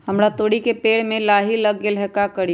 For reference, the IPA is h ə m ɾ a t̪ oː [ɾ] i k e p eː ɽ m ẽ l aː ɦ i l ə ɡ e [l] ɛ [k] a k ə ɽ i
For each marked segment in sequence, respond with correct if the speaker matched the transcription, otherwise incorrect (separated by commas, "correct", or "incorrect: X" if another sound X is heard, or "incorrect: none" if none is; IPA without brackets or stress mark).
incorrect: ɽ, correct, correct